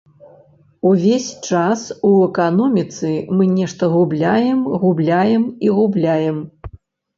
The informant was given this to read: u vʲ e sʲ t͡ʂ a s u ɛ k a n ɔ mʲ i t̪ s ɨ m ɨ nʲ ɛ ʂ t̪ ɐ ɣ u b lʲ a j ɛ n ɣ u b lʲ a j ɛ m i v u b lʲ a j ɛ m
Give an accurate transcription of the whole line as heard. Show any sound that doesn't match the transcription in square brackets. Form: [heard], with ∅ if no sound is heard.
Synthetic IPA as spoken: u vʲ e sʲ t͡ʂ a s u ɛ k a n ɔ mʲ i t̪ s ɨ m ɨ nʲ ɛ ʂ t̪ ɐ ɣ u b lʲ a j ɛ [m] ɣ u b lʲ a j ɛ m i [ɣ] u b lʲ a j ɛ m